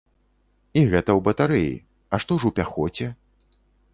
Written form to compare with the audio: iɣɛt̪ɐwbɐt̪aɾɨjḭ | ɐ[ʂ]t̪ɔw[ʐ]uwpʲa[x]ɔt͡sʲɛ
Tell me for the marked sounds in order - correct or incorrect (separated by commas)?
correct, correct, correct